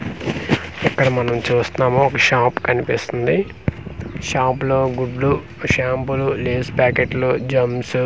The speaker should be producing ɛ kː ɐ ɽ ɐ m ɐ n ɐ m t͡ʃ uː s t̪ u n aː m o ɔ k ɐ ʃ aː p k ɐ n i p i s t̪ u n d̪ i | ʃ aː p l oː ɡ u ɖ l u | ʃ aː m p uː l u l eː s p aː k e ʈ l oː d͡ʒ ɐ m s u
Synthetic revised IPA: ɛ kː ɐ ɽ ɐ m ɐ n ɐ m t͡ʃ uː s t̪ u n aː m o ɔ k ɐ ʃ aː p k ɐ n i p i s t̪ u n d̪ i | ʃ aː p l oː ɡ u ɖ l u | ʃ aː m p u l u l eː s p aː k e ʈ l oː d͡ʒ ɐ m s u